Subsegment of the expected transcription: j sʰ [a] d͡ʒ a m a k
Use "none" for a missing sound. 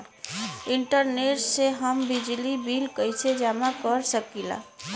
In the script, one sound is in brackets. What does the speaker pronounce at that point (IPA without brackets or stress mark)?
e